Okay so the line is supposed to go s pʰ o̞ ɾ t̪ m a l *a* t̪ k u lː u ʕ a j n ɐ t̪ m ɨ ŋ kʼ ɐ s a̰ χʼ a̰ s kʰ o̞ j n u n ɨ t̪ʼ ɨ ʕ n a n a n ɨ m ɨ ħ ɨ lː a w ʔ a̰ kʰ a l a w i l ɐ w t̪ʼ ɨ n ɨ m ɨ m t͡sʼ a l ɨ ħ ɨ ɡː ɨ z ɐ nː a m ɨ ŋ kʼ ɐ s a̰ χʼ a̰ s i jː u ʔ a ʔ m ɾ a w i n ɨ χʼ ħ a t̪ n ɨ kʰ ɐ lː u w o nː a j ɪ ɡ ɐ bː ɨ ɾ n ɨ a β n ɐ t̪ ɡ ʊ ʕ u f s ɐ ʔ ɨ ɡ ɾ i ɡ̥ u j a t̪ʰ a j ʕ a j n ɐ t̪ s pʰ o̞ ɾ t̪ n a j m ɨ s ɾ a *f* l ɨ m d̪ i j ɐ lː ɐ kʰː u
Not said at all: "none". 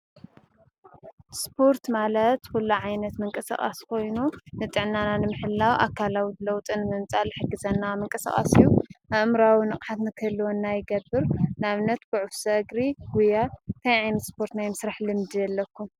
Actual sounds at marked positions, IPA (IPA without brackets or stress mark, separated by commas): ɐ, ħ